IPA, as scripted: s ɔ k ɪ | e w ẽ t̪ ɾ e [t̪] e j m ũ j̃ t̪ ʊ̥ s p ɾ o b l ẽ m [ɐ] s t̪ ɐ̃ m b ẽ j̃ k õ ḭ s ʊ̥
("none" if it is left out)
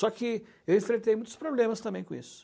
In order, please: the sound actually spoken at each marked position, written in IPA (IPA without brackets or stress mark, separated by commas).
t̪, ɐ